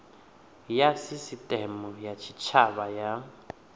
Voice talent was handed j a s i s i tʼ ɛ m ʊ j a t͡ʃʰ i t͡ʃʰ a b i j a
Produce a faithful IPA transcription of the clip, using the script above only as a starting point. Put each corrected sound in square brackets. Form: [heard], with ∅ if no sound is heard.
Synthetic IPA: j a s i s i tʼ ɛ m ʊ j a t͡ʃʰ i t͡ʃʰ a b [a] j a